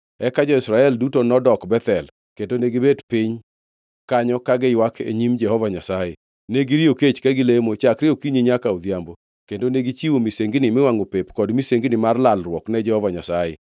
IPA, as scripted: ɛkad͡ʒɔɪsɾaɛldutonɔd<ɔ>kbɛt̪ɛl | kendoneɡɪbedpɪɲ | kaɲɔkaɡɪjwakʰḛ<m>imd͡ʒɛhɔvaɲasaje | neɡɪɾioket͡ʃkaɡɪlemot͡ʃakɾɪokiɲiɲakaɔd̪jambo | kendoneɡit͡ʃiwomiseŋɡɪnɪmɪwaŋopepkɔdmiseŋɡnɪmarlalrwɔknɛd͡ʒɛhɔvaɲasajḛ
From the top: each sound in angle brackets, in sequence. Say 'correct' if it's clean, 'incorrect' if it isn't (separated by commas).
correct, incorrect